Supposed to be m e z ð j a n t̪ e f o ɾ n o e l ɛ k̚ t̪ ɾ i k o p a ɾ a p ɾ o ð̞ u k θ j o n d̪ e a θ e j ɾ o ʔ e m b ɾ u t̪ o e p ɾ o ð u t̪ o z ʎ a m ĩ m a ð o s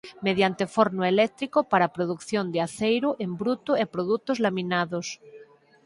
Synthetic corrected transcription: m e ð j a n t̪ e f o ɾ n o e l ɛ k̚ t̪ ɾ i k o p a ɾ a p ɾ o ð̞ u k θ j o n d̪ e a θ e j ɾ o ʔ e m b ɾ u t̪ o e p ɾ o ð u t̪ o z l a m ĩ n a ð o s